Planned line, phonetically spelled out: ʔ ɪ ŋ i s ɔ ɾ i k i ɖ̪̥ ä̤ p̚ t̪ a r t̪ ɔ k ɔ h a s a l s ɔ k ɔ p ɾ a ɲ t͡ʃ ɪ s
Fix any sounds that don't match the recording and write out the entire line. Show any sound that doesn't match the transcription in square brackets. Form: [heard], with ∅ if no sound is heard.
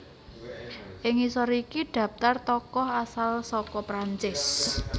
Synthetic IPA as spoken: ʔ ɪ ŋ i s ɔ ɾ i k i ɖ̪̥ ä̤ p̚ t̪ a r t̪ ɔ k ɔ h a s a l s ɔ k ɔ p ɾ a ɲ t͡ʃ ɪ s